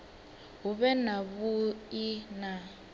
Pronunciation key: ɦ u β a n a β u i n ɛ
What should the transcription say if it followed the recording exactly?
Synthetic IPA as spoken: ɦ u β ɛ n a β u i n a